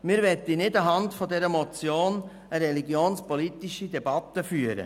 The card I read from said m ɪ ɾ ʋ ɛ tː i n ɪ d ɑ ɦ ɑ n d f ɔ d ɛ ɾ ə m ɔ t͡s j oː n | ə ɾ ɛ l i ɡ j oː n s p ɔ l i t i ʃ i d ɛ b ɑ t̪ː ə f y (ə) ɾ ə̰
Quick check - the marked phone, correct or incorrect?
correct